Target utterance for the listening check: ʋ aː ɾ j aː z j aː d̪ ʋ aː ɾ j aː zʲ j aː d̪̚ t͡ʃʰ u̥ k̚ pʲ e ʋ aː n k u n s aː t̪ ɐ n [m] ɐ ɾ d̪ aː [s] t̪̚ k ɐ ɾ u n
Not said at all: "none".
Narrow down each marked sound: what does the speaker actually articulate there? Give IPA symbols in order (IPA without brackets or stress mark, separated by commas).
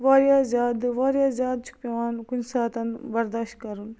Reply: b, ʃ